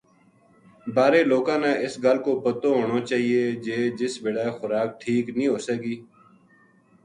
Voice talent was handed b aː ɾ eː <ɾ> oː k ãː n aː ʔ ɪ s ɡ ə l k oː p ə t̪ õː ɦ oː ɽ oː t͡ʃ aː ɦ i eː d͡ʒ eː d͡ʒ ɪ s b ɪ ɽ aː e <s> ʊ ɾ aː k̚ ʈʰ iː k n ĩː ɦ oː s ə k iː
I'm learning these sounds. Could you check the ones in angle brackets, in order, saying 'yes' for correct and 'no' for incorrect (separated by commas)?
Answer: no, no